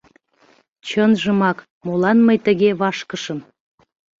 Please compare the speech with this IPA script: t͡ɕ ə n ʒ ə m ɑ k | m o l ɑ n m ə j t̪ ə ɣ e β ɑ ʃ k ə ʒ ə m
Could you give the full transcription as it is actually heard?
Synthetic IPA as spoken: t͡ɕ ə n ʒ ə m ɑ k | m o l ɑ n m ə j t̪ ə ɣ e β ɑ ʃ k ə ʃ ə m